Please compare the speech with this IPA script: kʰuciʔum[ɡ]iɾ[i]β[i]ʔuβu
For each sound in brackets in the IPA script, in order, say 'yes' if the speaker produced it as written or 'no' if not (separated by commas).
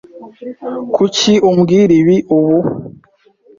yes, yes, yes